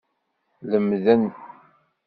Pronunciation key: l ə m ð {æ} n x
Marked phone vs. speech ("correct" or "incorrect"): correct